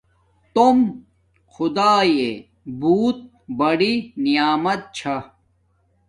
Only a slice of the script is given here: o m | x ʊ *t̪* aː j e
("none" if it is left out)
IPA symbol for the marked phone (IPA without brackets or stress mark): d̪